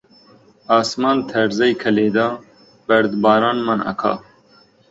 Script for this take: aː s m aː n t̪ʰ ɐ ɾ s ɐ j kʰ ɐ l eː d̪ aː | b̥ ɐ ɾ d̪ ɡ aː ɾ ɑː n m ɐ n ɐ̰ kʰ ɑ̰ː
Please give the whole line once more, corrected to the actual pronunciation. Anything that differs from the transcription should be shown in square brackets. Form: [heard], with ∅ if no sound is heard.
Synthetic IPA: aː s m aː n t̪ʰ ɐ ɾ [z] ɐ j kʰ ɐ l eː d̪ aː | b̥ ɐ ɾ d̪ [b] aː ɾ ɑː n m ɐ n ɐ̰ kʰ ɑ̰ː